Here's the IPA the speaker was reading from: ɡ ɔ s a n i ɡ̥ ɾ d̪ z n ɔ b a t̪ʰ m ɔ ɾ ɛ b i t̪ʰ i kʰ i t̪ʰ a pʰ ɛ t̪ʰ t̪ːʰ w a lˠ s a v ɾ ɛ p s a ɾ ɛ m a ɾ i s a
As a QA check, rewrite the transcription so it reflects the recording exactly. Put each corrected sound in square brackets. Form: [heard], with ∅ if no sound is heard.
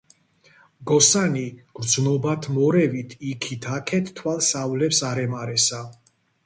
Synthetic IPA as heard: ɡ ɔ s a n i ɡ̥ ɾ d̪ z n ɔ b a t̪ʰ m ɔ ɾ ɛ [v] i t̪ʰ i kʰ i t̪ʰ a [kʰ] ɛ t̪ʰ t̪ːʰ w a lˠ s a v [l] ɛ p s a ɾ ɛ m a ɾ [ɛ] s a